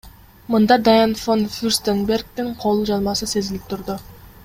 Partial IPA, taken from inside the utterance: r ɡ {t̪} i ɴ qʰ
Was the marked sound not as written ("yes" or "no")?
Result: no